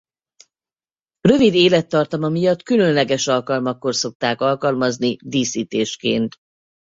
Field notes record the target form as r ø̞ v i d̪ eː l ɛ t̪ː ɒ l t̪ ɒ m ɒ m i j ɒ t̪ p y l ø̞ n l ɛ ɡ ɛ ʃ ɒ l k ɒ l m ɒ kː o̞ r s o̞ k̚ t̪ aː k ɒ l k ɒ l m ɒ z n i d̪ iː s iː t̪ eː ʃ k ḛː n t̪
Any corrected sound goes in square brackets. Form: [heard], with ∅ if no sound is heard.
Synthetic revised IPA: r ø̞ v i d̪ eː l ɛ t̪ː ɒ [r] t̪ ɒ m ɒ m i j ɒ t̪ [k] y l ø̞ n l ɛ ɡ ɛ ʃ ɒ l k ɒ l m ɒ kː o̞ r s o̞ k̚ t̪ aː k ɒ l k ɒ l m ɒ z n i d̪ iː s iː t̪ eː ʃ k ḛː n t̪